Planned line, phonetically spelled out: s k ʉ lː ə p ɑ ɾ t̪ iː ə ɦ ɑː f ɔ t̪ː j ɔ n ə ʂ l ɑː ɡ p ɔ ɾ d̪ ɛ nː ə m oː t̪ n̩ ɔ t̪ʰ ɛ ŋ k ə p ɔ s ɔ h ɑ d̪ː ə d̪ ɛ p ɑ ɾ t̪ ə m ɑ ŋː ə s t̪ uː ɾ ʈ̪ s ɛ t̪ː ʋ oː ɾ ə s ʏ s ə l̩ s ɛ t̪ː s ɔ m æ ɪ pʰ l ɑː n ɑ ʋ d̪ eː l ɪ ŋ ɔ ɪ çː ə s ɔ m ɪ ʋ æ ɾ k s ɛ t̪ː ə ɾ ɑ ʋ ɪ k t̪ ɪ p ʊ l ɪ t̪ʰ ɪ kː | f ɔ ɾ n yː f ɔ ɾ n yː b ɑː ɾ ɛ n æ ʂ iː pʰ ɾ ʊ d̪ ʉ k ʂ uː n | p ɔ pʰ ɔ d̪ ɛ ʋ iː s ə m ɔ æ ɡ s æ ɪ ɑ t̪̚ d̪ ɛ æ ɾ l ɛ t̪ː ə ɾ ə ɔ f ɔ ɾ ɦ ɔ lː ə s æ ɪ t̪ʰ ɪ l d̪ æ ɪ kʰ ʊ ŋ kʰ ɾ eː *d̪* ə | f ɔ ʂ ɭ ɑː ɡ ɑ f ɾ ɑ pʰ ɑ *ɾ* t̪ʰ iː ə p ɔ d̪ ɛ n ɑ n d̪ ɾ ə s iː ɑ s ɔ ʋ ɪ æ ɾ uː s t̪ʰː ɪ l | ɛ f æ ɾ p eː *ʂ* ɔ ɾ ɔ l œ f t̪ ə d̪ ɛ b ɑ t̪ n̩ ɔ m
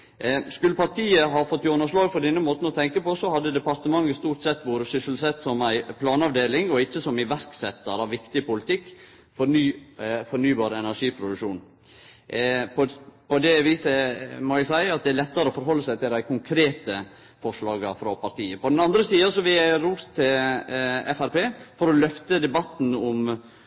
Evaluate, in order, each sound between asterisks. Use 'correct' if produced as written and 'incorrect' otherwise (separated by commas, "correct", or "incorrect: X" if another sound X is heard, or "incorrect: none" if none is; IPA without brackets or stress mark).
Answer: incorrect: t̪, correct, incorrect: f